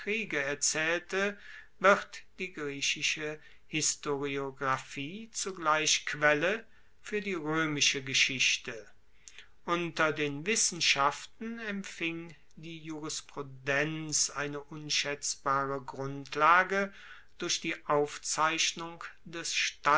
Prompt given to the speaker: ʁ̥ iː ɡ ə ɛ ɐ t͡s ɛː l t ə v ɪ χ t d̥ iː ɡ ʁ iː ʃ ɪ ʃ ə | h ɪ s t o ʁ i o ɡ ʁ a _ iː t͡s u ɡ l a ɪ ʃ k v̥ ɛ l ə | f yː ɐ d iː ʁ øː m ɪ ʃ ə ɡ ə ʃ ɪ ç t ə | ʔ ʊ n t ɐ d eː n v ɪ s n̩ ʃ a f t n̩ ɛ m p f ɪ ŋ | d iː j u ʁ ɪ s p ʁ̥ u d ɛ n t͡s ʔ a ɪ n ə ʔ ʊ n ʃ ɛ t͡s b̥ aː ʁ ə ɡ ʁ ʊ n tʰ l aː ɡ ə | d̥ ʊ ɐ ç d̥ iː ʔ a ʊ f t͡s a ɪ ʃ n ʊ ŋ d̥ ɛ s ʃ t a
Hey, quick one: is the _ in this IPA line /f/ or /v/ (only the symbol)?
f